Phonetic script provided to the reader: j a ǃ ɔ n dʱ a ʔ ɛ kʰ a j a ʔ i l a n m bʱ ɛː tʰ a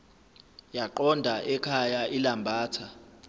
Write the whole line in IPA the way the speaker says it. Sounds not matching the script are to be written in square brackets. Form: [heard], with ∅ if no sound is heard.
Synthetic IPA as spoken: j a ǃ ɔ n dʱ a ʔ ɛ kʰ a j a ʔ i l a [∅] m bʱ [aː] tʰ a